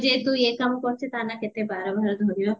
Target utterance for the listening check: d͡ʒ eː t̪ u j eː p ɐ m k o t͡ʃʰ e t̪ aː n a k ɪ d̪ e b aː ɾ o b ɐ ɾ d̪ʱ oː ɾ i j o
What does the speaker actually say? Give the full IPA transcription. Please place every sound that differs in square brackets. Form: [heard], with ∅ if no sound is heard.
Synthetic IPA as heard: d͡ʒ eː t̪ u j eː [k] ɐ m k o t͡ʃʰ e t̪ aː n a k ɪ [t̪] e b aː ɾ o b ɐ ɾ d̪ʱ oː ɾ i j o